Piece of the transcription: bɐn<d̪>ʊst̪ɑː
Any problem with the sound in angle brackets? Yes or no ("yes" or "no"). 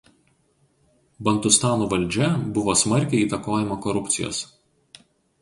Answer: yes